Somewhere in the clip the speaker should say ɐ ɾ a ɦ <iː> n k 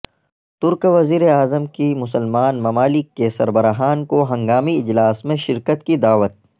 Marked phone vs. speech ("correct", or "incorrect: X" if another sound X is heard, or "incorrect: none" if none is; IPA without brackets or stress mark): incorrect: aː